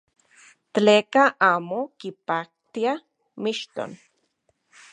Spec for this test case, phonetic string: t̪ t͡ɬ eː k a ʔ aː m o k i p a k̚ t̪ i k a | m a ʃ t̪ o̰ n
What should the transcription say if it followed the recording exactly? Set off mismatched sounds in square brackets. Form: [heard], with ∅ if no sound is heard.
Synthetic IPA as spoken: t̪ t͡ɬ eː k a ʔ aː m o k i p a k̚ t̪ i [∅] a | m [i] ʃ t̪ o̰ n